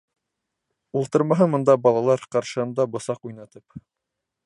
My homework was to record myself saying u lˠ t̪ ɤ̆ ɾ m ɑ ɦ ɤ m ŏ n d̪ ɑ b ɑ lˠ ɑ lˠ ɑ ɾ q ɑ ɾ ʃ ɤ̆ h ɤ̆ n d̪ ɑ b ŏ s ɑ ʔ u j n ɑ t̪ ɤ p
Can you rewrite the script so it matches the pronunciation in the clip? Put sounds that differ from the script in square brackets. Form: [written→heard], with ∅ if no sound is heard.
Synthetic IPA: u lˠ t̪ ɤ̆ ɾ m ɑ ɦ ɤ m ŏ n d̪ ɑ b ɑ lˠ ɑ lˠ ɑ ɾ q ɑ ɾ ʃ ɤ̆ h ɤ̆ n d̪ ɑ b ŏ s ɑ [ʔ→q] u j n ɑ t̪ ɤ p

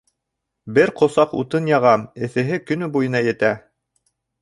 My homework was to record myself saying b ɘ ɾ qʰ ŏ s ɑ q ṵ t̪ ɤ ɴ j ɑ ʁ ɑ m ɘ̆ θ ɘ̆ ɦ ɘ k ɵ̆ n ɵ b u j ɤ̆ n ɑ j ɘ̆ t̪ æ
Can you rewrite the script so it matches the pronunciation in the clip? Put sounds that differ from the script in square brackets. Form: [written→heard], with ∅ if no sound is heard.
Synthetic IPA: b ɘ ɾ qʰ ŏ s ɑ q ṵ t̪ ɤ [ɴ→n] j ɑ ʁ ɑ m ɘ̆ θ ɘ̆ ɦ ɘ k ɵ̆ n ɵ b u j ɤ̆ n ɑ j ɘ̆ t̪ æ

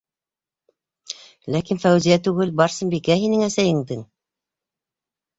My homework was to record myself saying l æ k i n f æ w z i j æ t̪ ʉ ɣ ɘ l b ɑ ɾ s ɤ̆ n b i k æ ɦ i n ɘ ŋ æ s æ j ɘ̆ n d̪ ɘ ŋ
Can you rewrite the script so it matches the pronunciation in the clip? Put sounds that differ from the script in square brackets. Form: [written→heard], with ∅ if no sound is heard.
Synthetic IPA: l æ k i n f æ w z i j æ t̪ ʉ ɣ ɘ l b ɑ ɾ s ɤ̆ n b i k æ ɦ i n ɘ ŋ æ s æ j ɘ̆ [n→ŋ] d̪ ɘ ŋ

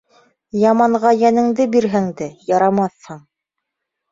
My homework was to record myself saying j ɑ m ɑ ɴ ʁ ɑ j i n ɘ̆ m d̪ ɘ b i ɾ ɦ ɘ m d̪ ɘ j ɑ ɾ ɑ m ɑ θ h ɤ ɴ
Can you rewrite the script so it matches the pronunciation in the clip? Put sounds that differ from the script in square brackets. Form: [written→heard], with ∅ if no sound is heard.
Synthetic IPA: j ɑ m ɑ ɴ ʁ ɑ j [i→æ] n ɘ̆ [m→ŋ] d̪ ɘ b i ɾ ɦ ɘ [m→ŋ] d̪ ɘ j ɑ ɾ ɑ m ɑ θ h ɤ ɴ

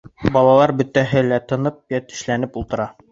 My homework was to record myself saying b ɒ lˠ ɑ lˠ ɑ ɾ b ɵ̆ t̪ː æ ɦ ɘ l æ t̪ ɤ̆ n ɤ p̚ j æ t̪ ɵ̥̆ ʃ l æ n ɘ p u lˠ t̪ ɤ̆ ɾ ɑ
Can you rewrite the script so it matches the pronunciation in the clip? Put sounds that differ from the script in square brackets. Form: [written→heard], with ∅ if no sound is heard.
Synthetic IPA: b ɒ lˠ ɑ lˠ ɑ ɾ b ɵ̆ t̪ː æ ɦ ɘ l æ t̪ ɤ̆ n ɤ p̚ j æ t̪ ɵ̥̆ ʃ l æ n ɘ p u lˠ t̪ ɤ̆ ɾ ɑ

